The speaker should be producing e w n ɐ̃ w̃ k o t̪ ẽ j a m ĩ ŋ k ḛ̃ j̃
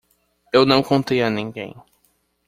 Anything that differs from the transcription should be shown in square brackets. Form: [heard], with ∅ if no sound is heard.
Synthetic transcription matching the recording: e w n ɐ̃ w̃ k [õ] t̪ [e] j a [n] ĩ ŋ [ɡ] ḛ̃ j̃